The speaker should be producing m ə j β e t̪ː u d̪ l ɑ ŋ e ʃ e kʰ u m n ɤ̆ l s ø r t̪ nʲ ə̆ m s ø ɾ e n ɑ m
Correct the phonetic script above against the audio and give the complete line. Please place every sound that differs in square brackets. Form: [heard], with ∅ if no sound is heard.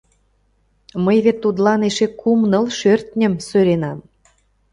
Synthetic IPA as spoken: m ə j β e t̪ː u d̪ l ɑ [n] e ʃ e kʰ u m n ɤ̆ l [ʃ] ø r t̪ nʲ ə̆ m s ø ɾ e n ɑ m